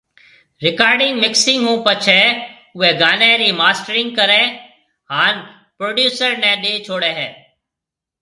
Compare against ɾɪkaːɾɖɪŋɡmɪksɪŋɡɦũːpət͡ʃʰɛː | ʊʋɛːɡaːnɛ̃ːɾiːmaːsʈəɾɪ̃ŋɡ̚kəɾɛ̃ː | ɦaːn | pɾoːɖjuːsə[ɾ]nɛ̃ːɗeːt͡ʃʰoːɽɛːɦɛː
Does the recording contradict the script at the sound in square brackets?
no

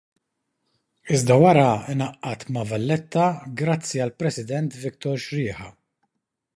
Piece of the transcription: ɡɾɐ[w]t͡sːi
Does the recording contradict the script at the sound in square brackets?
yes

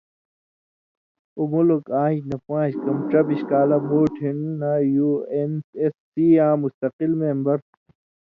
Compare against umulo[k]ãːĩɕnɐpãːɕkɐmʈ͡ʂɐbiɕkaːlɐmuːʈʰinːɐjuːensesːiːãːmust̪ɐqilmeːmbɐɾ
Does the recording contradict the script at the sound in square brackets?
no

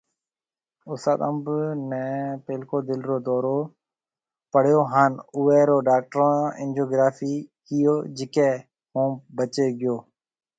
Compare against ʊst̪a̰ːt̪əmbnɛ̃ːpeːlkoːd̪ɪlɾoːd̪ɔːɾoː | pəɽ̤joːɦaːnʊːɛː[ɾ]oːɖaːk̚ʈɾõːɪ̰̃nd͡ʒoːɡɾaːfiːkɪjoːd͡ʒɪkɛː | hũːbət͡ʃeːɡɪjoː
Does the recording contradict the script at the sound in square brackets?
no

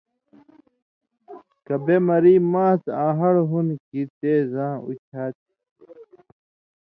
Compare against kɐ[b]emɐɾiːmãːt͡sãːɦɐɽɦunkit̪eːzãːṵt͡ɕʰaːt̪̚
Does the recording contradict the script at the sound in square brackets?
no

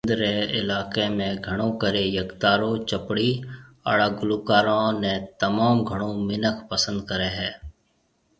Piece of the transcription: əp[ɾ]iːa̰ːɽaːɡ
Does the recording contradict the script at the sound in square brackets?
yes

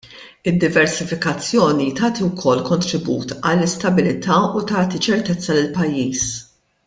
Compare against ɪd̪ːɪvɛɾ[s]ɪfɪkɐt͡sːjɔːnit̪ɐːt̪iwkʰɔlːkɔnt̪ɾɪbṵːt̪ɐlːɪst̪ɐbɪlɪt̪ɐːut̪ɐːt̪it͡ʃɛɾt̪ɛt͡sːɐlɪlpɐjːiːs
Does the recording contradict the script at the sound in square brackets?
no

